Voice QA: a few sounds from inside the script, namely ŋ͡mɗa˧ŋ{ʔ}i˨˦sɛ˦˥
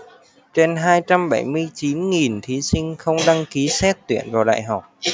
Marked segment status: incorrect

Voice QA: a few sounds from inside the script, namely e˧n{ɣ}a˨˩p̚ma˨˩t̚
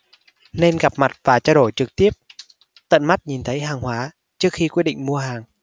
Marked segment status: correct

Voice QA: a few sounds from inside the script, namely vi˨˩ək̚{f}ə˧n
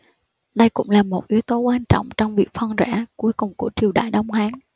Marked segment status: correct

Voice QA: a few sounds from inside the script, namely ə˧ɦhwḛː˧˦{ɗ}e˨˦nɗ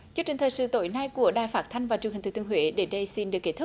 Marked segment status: correct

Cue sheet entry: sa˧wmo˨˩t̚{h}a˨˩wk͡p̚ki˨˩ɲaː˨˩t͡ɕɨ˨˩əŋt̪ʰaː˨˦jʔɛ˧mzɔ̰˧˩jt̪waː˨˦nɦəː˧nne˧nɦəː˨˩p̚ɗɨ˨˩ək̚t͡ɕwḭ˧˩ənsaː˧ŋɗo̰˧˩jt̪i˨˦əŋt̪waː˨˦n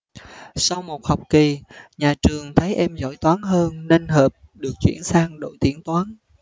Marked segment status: correct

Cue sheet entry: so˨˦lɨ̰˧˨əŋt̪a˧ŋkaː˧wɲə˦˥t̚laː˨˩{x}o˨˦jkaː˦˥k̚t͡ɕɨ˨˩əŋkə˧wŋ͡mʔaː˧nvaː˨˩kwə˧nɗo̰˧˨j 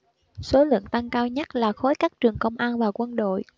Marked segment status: correct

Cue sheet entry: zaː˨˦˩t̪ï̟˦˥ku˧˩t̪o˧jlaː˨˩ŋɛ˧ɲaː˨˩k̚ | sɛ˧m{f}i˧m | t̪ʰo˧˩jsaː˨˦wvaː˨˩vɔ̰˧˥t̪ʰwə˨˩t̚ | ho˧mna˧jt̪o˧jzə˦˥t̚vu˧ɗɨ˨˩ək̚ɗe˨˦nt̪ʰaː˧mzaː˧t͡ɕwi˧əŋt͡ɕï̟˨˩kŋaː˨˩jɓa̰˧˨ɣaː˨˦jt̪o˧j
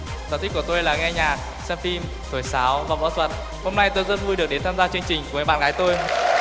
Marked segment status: correct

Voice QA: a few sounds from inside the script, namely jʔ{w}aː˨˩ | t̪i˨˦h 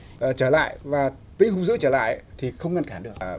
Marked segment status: incorrect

